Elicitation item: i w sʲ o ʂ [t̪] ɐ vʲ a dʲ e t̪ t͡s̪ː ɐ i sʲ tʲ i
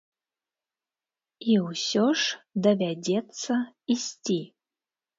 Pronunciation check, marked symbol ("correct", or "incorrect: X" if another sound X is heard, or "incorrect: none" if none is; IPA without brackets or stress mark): incorrect: d̪